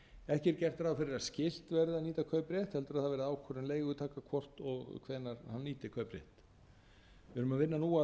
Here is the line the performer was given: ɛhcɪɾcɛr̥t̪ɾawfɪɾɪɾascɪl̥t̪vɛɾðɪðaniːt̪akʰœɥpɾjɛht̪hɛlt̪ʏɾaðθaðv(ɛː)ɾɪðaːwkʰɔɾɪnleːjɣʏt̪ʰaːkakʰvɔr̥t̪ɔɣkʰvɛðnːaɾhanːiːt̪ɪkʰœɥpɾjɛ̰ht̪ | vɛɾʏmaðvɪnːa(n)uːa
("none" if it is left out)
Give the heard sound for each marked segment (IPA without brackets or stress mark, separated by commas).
ɛ, n